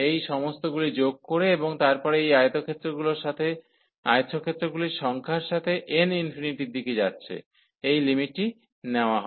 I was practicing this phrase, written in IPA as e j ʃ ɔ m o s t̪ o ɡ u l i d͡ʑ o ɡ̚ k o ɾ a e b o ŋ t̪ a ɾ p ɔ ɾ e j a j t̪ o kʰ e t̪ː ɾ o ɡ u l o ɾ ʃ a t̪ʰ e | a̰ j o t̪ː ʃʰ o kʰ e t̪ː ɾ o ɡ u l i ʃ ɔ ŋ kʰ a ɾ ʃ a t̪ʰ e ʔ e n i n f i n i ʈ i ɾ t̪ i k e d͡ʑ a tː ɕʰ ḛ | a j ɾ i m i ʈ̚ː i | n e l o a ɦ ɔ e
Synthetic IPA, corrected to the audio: e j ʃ ɔ m o s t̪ o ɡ u l i d͡ʑ o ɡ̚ k o ɾ e e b o ŋ t̪ a ɾ p ɔ ɾ e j a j t̪ o kʰ e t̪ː ɾ o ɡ u l o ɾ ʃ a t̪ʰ e | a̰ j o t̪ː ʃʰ o kʰ e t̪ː ɾ o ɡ u l i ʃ ɔ ŋ kʰ a ɾ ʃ a t̪ʰ e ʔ e n i n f i n i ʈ i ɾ d̪ i k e d͡ʑ a tː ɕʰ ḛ | e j l i m i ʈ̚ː i | n e o a ɦ ɔ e

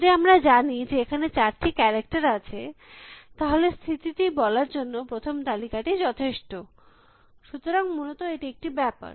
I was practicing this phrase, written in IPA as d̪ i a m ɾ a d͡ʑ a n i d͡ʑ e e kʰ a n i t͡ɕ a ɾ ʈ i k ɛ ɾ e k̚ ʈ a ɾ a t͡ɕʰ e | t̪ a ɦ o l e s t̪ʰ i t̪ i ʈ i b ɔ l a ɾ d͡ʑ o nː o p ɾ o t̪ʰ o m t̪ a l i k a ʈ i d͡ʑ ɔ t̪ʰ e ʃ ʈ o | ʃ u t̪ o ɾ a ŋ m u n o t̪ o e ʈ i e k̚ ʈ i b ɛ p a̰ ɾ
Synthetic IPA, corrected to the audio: d̪ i a m ɾ a d͡ʑ a n i d͡ʑ e e kʰ a n e t͡ɕ a ɾ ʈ i k ɛ ɾ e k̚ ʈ a ɾ a t͡ɕʰ e | t̪ a ɦ o l e s t̪ʰ i t̪ i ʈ i b ɔ l a ɾ d͡ʑ o nː o p ɾ o t̪ʰ o m t̪ a l i k a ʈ i d͡ʑ ɔ t̪ʰ e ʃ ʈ o | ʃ u t̪ o ɾ a ŋ m u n o t̪ o e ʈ i e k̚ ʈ i b ɛ p a̰ ɾ

